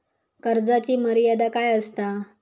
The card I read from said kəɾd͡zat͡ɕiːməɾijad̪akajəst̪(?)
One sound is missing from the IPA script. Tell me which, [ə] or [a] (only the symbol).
a